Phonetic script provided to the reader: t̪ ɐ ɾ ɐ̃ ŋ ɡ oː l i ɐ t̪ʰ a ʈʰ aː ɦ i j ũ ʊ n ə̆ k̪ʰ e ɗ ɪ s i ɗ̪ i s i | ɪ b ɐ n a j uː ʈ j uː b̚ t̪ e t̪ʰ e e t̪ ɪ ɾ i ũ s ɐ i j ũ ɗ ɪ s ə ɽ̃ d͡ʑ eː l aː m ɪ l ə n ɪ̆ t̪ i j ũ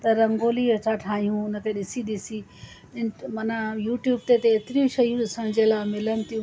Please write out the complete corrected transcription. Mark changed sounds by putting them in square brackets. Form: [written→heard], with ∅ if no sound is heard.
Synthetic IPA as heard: t̪ ɐ ɾ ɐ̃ ŋ ɡ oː l i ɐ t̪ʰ a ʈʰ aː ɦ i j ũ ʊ n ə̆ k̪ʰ e ɗ ɪ s i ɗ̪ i s i | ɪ [b→m] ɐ n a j uː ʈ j uː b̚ t̪ e [t̪ʰ→t̪] e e t̪ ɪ ɾ i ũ [s→ʃ] ɐ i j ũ ɗ ɪ s ə ɽ̃ d͡ʑ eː l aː m ɪ l ə n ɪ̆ t̪ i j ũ